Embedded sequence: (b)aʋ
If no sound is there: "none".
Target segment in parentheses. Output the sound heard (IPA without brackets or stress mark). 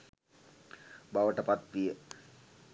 b